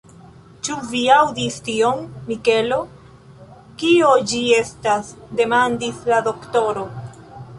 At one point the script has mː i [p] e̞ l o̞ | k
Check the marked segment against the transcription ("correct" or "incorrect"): incorrect